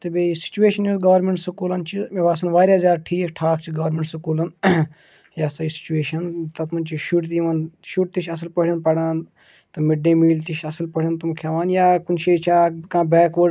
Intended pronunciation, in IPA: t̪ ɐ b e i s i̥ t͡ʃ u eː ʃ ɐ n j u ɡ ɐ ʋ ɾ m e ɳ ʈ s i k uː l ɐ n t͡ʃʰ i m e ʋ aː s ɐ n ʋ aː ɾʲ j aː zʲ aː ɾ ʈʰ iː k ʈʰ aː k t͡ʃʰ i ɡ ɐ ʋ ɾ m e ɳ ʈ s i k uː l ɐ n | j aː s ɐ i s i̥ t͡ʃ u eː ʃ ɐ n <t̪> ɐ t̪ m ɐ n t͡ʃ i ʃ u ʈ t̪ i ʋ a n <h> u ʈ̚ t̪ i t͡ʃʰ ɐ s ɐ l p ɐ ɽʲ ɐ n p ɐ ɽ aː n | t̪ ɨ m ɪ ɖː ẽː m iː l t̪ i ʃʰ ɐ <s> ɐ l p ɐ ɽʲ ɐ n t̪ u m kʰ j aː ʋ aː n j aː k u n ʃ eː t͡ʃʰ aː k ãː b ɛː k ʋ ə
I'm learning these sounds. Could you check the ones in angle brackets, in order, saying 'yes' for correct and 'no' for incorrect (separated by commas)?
yes, no, yes